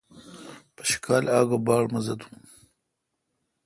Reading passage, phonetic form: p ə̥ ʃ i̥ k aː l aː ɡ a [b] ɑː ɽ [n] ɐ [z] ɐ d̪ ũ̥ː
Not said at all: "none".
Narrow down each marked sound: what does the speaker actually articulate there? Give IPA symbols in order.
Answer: b, m, z

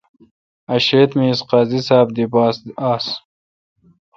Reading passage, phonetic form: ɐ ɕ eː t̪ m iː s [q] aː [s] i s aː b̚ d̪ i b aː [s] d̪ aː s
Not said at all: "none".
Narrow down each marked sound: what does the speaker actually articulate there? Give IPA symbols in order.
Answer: q, z, s

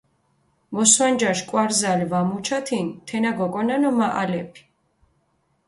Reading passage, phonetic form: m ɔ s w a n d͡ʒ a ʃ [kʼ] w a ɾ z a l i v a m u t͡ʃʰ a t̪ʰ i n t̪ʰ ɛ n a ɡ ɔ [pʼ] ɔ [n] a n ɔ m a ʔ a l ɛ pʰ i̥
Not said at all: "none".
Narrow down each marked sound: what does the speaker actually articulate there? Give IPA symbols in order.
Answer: kʼ, kʼ, n

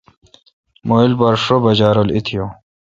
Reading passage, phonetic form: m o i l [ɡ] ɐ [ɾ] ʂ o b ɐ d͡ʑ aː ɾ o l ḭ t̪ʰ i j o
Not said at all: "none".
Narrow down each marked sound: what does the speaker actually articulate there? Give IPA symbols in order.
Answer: b, ɾ

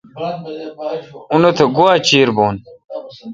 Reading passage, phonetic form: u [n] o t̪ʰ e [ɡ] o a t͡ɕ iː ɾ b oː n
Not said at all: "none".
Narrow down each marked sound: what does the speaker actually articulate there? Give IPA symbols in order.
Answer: n, ɡ

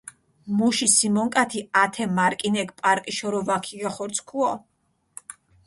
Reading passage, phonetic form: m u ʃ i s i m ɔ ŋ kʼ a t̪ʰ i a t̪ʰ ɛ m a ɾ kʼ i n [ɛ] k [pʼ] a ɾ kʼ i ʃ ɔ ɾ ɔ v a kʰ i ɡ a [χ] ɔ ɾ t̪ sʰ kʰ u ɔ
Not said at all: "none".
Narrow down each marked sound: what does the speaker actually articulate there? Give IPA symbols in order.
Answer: ɛ, pʼ, χ

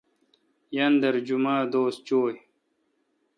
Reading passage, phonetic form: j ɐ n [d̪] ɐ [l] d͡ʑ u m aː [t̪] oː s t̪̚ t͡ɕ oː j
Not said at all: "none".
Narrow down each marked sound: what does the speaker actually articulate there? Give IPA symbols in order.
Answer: d̪, ɾ, d̪

